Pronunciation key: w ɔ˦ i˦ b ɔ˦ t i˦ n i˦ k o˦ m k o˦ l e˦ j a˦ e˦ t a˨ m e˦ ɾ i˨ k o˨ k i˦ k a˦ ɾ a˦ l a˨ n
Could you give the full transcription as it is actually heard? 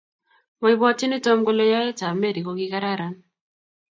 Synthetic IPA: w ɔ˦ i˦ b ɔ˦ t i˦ n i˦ t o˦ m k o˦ l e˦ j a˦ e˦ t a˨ m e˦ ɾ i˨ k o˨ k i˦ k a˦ ɾ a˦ ɾ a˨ n